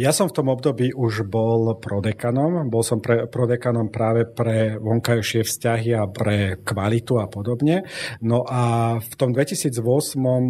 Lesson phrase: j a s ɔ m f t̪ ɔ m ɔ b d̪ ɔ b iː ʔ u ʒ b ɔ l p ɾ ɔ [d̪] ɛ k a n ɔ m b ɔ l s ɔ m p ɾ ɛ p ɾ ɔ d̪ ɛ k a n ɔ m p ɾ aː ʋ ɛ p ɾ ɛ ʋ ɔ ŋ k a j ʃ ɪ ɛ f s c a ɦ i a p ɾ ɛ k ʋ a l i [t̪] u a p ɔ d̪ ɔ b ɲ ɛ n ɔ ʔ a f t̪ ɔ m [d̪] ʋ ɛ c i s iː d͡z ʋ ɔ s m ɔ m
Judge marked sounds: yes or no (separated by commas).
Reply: yes, yes, yes